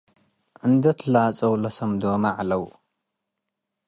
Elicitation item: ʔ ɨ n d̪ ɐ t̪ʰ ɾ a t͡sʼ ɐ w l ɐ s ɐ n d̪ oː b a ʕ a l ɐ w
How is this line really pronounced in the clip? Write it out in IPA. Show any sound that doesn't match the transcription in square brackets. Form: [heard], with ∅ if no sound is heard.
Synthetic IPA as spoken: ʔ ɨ n d̪ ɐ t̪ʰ [l] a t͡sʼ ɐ w l ɐ s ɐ [m] d̪ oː [m] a ʕ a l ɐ w